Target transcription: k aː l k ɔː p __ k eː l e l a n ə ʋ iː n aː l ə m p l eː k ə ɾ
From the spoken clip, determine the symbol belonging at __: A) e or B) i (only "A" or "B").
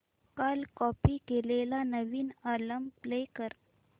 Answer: B